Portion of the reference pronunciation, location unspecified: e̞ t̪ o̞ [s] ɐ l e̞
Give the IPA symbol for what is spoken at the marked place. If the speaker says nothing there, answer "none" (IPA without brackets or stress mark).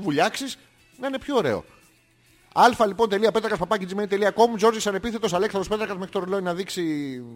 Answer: s